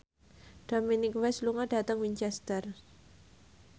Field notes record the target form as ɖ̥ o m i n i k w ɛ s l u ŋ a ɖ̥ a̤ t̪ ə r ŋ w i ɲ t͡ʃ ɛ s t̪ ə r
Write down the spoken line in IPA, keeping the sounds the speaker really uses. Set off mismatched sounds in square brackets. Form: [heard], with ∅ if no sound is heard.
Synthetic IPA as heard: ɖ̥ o m i n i k w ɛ s l u ŋ a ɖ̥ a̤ t̪ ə [∅] ŋ w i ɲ t͡ʃ ɛ s t̪ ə r